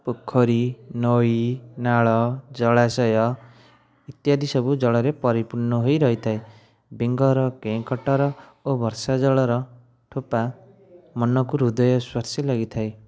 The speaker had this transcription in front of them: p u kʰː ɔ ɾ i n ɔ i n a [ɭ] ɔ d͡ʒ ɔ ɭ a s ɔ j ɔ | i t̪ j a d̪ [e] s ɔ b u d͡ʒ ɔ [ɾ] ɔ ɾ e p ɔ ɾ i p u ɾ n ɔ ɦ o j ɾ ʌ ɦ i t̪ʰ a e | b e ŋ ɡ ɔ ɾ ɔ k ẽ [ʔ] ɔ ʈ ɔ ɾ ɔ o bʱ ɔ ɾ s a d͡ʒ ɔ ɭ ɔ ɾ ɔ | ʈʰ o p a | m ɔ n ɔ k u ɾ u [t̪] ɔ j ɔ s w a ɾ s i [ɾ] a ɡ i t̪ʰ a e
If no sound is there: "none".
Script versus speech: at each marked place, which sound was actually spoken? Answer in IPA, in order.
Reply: ɭ, i, ɭ, k, d̪, l

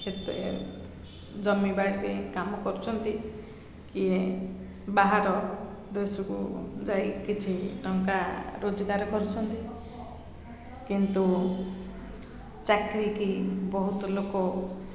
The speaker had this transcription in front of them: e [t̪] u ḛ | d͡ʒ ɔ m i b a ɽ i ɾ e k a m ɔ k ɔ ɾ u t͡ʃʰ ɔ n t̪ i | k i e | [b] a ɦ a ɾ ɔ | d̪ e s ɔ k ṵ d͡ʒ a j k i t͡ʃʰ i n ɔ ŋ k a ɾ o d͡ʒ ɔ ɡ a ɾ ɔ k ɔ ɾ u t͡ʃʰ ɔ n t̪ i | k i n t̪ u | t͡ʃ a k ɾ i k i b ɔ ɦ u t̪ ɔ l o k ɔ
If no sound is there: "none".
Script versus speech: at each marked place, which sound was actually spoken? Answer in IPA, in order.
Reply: t̪, b

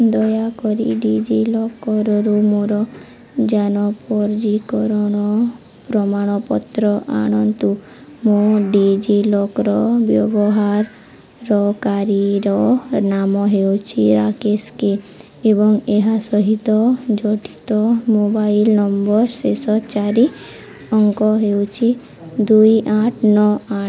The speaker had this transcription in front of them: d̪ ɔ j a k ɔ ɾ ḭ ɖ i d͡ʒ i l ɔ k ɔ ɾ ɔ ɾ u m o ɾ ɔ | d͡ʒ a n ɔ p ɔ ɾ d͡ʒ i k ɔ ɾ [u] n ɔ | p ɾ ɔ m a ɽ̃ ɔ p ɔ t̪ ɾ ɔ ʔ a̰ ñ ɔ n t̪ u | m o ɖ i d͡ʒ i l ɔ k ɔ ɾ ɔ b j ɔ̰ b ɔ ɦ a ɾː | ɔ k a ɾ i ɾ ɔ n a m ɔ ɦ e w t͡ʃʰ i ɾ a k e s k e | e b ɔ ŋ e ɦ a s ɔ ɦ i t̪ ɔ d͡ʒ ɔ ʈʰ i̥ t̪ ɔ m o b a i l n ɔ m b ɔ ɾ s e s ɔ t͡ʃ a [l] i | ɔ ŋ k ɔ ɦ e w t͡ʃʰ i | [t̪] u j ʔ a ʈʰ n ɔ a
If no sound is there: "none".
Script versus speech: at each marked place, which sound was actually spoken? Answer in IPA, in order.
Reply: ɔ, ɾ, d̪

